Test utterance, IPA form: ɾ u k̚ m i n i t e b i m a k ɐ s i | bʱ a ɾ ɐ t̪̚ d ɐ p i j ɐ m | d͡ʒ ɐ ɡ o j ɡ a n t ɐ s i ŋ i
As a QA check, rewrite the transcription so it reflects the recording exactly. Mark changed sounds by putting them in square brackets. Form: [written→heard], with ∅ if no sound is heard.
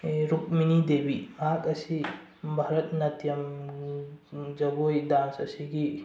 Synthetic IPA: ɾ u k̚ m i n i [t→d] e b i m a k ɐ s i | bʱ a ɾ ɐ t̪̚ [d→n] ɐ [p→t] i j ɐ m | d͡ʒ ɐ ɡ o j [ɡ→d] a n [t→s] ɐ s i [ŋ→ɡ] i